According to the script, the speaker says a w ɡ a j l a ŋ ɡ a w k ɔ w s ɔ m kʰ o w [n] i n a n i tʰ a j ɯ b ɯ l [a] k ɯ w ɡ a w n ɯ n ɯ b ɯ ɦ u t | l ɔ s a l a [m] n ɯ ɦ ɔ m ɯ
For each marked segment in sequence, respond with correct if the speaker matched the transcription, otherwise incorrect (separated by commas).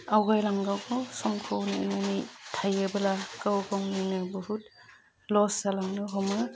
correct, correct, incorrect